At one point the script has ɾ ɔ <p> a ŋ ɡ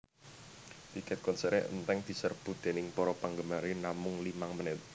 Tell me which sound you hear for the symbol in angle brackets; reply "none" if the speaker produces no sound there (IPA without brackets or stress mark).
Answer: p